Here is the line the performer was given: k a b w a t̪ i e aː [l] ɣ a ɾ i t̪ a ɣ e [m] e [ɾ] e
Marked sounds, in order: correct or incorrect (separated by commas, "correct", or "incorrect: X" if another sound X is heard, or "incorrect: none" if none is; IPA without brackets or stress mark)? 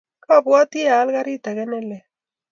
correct, incorrect: n, incorrect: l